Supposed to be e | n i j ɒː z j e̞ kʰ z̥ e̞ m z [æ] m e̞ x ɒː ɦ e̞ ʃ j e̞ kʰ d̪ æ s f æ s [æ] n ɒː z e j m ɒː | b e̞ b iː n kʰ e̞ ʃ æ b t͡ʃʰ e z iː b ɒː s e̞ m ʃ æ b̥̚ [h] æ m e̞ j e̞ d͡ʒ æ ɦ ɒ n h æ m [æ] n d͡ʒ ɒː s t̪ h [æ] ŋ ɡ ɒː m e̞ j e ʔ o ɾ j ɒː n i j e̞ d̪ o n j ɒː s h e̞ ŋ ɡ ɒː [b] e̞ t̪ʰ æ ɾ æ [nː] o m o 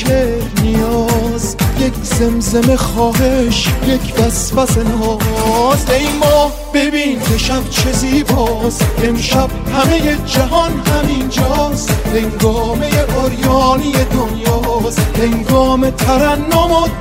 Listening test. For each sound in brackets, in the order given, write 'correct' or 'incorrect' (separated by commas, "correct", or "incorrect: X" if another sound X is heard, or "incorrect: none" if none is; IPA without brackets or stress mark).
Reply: incorrect: e, incorrect: e, correct, incorrect: i, incorrect: e, incorrect: m, correct